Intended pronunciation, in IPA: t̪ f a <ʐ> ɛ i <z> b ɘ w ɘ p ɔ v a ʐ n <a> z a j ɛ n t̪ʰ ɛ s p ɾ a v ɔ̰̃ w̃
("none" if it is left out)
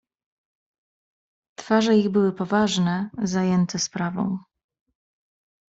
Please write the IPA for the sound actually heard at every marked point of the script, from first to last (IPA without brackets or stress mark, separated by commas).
ʐ, ɣ, ɛ